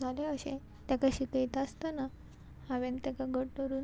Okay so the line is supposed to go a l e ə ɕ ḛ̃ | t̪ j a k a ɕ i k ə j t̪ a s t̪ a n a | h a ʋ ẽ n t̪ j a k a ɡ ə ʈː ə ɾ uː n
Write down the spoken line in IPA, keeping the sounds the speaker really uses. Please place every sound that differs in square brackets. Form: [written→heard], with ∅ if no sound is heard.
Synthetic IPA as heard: a l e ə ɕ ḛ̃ | t̪ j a k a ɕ i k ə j t̪ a s t̪ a n a | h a ʋ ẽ n t̪ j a k a ɡ ə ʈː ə ɾ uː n